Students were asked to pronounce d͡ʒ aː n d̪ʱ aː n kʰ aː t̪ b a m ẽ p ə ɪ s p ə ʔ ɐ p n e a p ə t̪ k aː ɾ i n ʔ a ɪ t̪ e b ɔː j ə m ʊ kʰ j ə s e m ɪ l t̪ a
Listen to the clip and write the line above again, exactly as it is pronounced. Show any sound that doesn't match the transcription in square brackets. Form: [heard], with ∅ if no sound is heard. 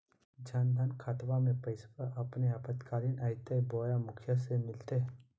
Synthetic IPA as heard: d͡ʒ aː n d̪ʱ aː n kʰ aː t̪ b a m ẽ p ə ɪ s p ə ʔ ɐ p n e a p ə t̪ k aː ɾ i n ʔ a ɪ t̪ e b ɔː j [a] m ʊ kʰ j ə s e m ɪ l t̪ [e]